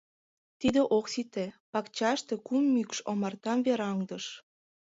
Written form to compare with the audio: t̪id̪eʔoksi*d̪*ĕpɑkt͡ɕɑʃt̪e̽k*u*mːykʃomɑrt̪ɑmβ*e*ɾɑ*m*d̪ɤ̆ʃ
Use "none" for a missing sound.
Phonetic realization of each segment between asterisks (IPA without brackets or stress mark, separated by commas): t̪, u, e, ŋ